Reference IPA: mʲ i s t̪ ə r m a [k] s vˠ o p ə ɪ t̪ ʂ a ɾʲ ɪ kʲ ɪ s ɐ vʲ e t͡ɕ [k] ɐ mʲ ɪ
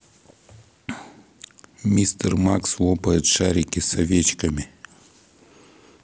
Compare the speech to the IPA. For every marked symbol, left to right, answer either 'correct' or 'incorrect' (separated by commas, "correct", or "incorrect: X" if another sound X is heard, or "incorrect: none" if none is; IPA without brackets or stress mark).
correct, correct